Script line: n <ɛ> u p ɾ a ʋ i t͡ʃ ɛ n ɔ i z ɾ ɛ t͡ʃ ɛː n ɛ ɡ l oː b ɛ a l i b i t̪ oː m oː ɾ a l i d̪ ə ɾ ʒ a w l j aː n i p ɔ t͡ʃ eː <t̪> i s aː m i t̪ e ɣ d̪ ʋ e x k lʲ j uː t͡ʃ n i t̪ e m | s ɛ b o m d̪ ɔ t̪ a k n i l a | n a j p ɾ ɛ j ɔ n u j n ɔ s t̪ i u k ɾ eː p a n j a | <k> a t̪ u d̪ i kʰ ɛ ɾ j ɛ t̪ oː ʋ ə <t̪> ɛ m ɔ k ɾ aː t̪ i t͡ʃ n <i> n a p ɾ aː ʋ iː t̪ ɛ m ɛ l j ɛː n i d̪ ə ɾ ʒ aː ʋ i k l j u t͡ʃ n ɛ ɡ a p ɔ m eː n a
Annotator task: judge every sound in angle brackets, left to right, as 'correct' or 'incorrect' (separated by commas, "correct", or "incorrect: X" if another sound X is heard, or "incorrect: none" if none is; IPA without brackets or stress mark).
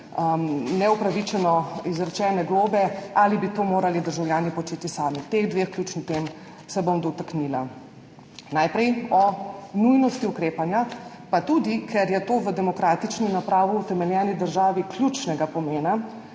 correct, correct, incorrect: p, incorrect: d̪, correct